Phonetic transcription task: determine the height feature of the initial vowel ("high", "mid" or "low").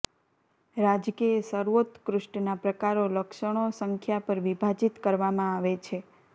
low